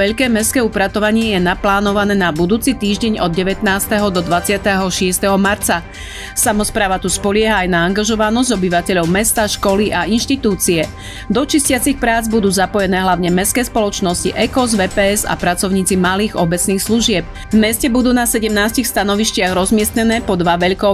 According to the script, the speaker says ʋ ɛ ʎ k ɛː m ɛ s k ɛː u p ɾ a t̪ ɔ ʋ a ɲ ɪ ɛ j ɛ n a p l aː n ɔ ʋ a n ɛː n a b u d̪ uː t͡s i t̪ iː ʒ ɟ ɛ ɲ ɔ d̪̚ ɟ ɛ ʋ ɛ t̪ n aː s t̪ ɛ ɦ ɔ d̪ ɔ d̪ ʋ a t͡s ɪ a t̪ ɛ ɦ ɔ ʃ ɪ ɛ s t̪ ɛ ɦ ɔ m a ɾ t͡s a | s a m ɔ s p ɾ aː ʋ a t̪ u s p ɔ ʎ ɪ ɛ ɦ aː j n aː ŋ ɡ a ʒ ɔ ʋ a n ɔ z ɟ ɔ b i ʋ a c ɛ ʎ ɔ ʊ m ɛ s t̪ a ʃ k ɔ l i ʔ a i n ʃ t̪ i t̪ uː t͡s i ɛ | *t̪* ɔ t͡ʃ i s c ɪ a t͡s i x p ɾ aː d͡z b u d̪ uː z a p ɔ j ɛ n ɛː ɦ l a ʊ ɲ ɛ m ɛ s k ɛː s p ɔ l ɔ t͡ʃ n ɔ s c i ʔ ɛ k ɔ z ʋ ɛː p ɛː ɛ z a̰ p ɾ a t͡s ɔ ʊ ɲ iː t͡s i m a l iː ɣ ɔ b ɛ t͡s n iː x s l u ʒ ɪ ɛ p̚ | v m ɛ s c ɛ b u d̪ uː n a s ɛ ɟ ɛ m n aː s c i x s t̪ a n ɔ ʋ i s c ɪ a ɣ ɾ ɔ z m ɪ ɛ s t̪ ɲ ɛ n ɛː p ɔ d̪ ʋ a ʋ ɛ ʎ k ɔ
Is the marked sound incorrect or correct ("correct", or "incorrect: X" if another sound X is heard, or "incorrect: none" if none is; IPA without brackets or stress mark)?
incorrect: d̪